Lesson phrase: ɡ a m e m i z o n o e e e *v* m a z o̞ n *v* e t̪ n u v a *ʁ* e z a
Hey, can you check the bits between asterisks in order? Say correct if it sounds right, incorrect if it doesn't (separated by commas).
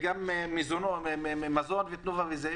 incorrect, correct, incorrect